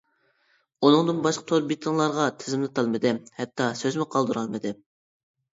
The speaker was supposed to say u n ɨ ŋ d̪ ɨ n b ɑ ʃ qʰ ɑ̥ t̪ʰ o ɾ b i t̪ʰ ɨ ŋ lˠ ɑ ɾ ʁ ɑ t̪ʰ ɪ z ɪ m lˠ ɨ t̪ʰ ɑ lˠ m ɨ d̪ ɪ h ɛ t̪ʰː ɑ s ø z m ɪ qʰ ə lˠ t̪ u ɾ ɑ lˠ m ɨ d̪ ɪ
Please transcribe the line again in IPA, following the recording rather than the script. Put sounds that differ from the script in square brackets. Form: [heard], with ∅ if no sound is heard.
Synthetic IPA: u n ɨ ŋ d̪ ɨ n b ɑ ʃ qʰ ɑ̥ t̪ʰ o ɾ b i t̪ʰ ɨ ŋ lˠ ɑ ɾ ʁ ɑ t̪ʰ ɪ z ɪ m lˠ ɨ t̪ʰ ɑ lˠ m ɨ d̪ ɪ h ɛ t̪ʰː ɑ s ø z m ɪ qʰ [ɑ] lˠ [d̪] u ɾ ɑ lˠ m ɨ d̪ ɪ